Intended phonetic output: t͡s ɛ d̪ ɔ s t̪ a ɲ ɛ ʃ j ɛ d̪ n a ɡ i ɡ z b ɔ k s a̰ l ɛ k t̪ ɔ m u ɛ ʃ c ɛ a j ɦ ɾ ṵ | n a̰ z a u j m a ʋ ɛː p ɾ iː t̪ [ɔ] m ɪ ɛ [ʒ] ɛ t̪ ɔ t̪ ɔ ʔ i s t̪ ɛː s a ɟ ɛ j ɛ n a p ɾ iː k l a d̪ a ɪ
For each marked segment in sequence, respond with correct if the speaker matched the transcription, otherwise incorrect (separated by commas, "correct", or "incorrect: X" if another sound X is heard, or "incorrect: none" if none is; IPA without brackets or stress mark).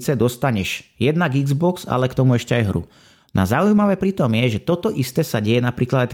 correct, correct